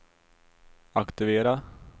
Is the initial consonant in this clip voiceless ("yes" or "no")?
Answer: yes